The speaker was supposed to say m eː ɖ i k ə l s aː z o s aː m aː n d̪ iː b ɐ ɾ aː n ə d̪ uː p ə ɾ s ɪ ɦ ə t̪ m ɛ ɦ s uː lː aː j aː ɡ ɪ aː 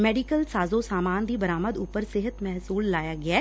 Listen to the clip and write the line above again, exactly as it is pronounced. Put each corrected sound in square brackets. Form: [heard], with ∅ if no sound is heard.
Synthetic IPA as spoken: m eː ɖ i k ə l s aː z o s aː m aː n d̪ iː b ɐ ɾ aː [m] ə d̪ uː p ə ɾ s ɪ ɦ ə t̪ m ɛ ɦ s uː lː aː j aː ɡ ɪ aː